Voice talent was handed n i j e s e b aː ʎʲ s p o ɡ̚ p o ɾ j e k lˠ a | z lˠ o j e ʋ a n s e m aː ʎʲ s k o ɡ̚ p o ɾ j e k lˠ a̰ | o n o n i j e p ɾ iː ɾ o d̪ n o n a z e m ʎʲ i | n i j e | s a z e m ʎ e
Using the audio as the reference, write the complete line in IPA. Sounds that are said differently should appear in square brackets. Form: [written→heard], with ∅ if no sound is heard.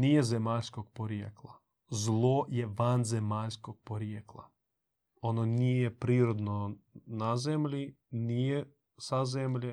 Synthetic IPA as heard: n i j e [s→z] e [b→m] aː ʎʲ s [p→k] o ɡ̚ p o ɾ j e k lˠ a | z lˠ o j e ʋ a n [s→z] e m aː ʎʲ s k o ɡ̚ p o ɾ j e k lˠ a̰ | o n o n i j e p ɾ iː ɾ o d̪ n o n a z e m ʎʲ i | n i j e | s a z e m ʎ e